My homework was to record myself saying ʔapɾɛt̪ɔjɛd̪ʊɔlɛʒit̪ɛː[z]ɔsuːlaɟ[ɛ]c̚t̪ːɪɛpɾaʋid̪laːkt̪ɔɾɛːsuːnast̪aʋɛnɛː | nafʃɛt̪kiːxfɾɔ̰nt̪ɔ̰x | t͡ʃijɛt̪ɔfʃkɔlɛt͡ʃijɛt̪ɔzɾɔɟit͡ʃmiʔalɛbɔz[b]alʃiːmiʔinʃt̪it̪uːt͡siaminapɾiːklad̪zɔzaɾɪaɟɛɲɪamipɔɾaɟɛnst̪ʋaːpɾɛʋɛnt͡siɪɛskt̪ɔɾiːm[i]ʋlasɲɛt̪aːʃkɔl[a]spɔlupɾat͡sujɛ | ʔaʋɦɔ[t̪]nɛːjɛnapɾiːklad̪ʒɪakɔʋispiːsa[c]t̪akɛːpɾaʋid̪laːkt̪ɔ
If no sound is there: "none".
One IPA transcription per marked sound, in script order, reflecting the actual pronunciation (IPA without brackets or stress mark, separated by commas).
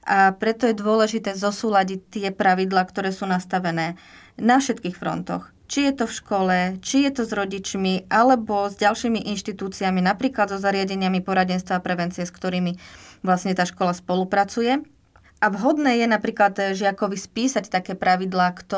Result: z, i, ɟ, i, a, d̪, c